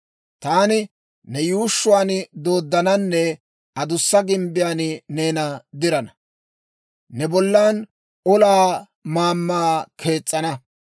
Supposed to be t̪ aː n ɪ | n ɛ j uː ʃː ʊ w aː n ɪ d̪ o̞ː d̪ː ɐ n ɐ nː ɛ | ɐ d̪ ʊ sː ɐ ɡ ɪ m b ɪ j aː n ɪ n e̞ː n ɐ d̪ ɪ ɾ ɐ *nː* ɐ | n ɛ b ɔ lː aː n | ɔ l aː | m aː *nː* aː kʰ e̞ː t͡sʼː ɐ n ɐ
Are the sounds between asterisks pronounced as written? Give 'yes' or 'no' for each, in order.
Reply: no, no

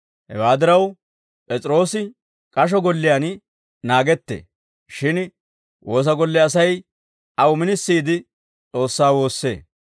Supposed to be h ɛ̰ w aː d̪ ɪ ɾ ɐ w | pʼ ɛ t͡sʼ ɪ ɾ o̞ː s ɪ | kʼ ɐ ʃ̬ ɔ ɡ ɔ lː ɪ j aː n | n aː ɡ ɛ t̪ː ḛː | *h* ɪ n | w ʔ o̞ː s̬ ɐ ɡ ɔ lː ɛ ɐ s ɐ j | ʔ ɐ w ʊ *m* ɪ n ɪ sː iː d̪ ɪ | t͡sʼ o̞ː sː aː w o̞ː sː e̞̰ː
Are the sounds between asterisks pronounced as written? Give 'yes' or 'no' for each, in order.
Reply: no, yes

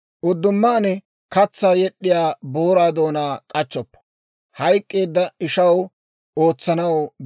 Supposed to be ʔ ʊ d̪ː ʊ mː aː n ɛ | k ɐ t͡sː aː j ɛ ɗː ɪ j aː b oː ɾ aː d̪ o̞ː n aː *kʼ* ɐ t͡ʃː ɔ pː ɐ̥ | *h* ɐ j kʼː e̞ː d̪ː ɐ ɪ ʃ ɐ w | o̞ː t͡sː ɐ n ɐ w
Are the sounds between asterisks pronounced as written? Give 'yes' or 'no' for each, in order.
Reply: yes, yes

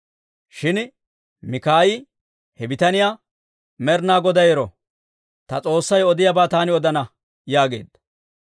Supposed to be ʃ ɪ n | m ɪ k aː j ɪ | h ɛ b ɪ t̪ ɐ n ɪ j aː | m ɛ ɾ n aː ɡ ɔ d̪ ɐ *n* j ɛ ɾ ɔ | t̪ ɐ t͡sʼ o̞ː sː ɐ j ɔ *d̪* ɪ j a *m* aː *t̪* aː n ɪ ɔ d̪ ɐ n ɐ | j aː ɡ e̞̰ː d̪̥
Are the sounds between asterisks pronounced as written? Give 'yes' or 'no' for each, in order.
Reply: no, yes, no, yes

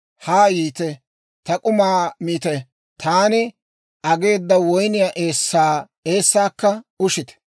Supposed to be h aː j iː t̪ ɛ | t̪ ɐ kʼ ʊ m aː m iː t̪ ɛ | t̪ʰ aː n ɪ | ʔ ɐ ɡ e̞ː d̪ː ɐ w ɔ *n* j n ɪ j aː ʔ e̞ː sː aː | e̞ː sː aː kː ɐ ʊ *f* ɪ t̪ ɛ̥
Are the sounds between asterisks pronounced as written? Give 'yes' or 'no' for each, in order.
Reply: no, no

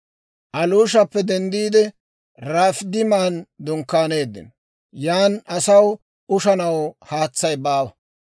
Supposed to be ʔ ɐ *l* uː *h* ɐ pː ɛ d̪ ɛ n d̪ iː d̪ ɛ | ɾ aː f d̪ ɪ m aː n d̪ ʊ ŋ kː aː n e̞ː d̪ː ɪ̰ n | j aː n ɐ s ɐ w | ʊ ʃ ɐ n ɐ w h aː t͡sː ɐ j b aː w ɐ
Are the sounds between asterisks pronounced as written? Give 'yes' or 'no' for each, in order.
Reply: yes, no

